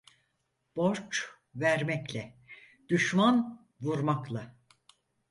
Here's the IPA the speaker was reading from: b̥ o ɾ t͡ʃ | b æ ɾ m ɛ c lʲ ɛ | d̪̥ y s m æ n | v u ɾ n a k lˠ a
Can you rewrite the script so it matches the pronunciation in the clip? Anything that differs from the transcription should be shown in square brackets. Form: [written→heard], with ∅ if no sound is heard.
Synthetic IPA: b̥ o ɾ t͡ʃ | [b→v] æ ɾ m ɛ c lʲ ɛ | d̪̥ y [s→ʃ] m [æ→a] n | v u ɾ [n→m] a k lˠ a